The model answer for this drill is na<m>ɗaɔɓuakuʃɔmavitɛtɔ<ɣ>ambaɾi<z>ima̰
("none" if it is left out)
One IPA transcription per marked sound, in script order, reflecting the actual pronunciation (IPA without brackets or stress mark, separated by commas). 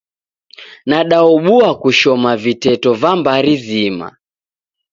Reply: none, v, z